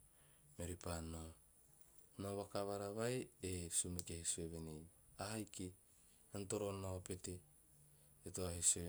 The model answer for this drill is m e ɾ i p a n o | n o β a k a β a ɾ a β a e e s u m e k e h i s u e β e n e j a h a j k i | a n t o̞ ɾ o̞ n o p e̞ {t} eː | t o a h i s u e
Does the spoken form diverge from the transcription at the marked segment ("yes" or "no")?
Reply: no